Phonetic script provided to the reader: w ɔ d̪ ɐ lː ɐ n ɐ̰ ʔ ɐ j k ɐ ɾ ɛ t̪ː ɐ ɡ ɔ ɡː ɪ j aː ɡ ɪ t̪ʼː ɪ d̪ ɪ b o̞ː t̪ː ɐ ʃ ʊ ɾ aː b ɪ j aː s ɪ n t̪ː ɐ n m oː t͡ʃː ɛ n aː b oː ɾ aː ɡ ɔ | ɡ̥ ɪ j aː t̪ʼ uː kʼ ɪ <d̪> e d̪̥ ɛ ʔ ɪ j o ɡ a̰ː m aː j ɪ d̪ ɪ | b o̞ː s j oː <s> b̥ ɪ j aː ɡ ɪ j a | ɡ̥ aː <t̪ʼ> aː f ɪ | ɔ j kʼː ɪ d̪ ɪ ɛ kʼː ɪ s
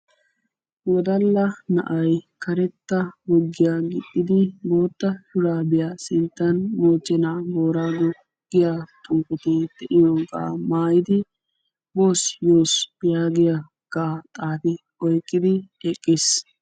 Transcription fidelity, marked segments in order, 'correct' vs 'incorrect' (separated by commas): incorrect, correct, correct